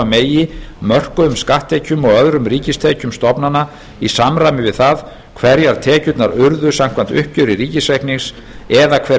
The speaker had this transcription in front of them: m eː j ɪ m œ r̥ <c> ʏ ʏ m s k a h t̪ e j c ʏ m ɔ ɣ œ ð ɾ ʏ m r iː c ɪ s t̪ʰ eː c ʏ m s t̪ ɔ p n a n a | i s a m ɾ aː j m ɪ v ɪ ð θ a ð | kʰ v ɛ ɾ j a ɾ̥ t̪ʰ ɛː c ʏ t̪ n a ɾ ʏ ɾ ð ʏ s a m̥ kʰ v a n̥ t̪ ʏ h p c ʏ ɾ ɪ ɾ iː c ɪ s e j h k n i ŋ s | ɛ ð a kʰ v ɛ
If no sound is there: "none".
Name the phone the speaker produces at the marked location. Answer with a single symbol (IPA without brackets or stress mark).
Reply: k